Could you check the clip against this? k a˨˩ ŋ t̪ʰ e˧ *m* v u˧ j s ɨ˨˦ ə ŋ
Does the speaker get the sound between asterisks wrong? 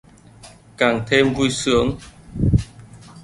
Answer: no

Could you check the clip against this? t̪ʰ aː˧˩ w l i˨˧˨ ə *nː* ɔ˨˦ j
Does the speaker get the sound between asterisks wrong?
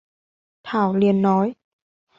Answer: no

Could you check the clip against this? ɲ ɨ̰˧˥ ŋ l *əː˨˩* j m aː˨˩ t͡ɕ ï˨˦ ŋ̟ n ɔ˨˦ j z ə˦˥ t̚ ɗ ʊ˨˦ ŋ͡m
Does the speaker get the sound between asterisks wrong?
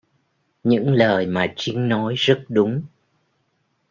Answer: no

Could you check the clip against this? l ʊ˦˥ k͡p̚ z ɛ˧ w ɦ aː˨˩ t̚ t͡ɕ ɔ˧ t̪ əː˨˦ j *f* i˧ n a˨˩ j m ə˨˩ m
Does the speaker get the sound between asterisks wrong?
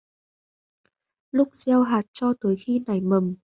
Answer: yes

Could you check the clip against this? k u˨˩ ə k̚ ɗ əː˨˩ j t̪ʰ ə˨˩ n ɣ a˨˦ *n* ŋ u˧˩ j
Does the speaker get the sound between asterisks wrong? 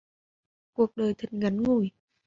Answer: no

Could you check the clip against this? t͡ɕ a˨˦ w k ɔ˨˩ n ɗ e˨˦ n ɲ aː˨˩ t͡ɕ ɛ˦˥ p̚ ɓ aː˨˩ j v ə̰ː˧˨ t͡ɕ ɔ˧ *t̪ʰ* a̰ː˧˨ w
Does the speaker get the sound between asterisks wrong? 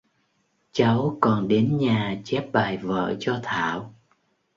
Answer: no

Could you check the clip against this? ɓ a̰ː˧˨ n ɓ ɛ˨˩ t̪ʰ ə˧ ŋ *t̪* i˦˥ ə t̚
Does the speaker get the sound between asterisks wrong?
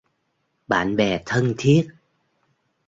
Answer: yes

